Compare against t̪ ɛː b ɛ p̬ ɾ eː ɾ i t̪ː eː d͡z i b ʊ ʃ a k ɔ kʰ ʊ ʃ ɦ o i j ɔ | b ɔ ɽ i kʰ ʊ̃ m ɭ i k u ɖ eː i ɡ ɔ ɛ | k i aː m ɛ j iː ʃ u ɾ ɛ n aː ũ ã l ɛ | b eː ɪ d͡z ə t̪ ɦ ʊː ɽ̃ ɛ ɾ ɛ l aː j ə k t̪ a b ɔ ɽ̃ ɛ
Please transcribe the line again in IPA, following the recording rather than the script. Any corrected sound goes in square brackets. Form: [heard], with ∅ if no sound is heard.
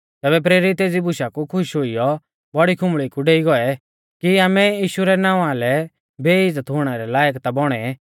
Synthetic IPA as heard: t̪ ɛː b ɛ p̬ ɾ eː ɾ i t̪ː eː d͡z i b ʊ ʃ a k [u] kʰ ʊ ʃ ɦ o i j ɔ | b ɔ ɽ i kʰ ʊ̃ m ɭ i k u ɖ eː i ɡ ɔ ɛ | k i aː m ɛ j iː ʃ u ɾ ɛ n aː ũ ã l ɛ | b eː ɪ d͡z ə t̪ ɦ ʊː ɽ̃ ɛ ɾ ɛ l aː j ə k t̪ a b ɔ ɽ̃ ɛ